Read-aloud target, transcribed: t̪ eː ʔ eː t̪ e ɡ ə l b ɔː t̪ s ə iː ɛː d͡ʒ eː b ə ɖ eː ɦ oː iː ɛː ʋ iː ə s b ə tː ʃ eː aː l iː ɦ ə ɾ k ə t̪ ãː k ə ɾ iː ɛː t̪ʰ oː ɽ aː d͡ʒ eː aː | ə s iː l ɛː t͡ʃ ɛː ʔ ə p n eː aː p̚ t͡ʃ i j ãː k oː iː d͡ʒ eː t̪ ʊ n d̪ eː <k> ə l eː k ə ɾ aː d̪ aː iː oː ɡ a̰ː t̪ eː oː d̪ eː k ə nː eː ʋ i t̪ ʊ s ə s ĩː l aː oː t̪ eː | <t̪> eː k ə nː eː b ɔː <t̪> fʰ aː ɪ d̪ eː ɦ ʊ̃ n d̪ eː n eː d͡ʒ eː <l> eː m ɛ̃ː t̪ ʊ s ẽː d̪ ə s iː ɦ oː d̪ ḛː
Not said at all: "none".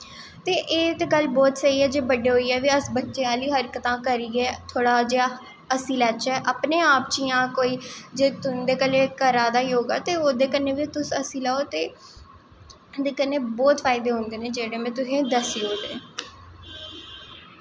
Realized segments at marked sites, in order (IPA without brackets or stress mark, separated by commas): k, d̪, t̪, ɽ